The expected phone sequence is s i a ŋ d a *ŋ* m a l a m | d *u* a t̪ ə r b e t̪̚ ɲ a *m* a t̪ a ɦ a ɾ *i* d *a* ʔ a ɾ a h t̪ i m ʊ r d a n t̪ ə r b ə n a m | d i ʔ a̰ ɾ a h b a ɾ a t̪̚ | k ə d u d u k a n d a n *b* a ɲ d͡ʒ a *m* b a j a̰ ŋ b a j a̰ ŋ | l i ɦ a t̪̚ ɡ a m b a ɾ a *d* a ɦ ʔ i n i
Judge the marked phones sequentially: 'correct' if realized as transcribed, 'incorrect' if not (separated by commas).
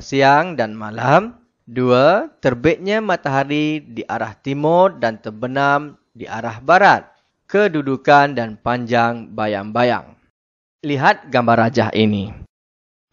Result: incorrect, correct, correct, correct, incorrect, incorrect, incorrect, incorrect